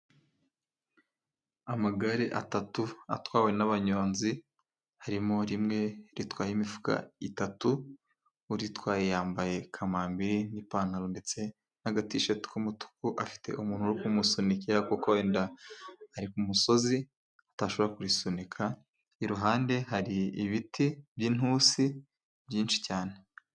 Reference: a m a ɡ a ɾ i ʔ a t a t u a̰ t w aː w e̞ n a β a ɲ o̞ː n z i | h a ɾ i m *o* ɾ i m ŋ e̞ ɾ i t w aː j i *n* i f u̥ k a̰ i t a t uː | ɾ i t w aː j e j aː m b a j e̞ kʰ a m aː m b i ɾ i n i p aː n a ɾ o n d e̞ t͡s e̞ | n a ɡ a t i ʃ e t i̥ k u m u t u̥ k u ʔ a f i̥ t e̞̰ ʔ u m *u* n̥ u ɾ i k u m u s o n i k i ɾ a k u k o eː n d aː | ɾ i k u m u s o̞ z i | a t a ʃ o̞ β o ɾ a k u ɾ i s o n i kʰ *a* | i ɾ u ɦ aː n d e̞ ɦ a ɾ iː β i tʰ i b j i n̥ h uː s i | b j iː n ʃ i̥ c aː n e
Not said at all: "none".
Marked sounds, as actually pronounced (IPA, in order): o, m, uː, a

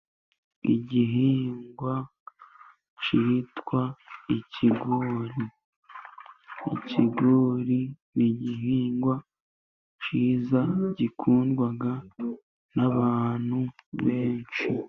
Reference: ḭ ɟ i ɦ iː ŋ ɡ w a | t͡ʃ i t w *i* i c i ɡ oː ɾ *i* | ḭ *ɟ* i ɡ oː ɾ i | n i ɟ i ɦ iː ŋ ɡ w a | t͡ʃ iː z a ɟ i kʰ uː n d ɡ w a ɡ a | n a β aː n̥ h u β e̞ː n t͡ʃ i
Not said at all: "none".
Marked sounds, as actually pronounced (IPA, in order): a, i, c

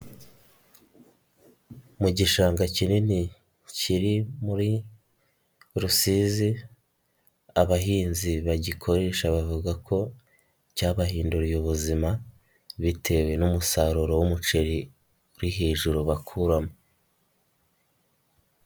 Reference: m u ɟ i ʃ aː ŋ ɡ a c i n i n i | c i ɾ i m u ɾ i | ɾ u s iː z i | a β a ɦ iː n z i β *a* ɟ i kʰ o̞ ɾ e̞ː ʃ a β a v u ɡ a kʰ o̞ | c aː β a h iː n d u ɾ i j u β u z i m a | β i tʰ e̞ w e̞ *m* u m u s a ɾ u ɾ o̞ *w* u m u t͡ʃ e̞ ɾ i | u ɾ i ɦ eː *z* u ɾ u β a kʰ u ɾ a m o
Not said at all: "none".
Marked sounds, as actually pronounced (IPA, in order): a, n, w, ʒ

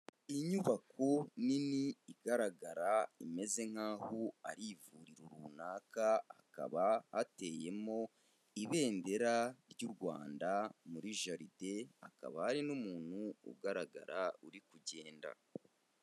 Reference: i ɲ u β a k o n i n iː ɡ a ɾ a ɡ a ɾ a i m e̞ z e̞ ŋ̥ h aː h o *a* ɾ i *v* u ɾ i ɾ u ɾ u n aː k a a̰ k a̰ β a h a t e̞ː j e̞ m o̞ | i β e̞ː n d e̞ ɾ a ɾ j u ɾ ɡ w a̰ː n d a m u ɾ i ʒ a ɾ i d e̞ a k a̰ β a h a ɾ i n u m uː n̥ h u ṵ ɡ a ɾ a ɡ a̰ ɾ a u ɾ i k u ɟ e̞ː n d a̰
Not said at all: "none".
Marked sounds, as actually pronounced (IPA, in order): a, v

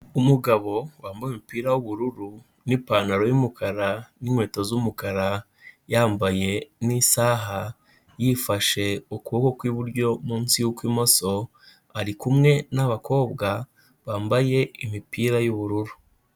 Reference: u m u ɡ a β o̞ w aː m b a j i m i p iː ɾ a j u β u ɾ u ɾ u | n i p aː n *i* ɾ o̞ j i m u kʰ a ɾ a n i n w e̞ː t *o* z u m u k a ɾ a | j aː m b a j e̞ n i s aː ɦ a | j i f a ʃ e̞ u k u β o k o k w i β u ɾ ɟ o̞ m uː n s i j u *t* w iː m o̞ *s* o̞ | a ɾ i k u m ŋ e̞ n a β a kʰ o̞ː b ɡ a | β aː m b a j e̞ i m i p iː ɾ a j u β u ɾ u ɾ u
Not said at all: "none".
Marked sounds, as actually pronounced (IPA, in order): a, o, k, s

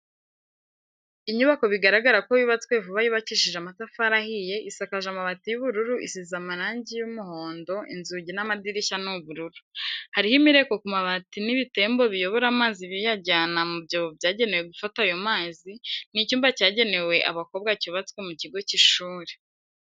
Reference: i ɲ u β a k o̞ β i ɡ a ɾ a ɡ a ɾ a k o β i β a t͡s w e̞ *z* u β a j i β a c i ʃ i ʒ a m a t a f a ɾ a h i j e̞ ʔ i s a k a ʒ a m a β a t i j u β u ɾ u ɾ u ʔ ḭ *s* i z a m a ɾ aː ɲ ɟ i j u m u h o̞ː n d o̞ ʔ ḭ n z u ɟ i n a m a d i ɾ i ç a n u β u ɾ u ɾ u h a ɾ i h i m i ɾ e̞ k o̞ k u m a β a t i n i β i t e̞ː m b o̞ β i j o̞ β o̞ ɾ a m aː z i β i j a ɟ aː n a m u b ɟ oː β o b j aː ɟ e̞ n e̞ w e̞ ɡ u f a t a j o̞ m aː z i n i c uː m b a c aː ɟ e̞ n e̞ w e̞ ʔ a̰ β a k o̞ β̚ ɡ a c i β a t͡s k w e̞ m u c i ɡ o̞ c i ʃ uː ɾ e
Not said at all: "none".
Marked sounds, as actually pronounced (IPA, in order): v, s

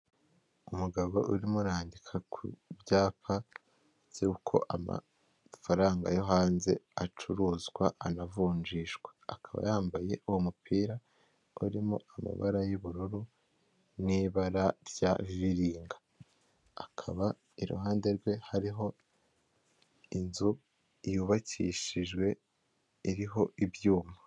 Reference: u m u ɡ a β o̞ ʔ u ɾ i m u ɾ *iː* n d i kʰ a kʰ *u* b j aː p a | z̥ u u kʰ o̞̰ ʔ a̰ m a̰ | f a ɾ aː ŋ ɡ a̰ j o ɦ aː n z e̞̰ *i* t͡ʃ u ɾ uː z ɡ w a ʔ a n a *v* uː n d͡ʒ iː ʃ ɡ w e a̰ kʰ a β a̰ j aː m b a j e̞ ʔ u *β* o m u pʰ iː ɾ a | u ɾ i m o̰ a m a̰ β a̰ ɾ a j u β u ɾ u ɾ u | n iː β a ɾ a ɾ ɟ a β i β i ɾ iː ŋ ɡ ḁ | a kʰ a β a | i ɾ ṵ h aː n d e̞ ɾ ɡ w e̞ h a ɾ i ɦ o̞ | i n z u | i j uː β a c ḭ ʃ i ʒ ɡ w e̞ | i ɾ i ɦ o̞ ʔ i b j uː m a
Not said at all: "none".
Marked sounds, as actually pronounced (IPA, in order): aː, u, a, v, w

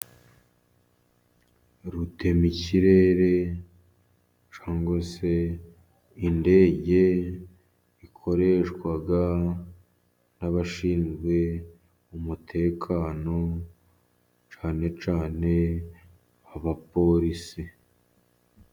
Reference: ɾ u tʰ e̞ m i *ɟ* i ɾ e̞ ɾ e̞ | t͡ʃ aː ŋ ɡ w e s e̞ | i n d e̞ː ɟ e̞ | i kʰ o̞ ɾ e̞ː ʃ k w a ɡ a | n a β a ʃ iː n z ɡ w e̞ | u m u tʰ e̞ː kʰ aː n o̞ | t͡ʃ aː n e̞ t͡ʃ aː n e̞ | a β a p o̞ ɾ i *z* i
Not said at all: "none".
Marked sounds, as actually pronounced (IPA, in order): c, s

